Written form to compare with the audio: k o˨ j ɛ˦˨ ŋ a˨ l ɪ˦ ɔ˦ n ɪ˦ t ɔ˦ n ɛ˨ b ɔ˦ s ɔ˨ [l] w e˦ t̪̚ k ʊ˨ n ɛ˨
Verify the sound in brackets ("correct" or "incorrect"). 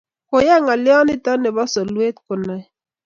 correct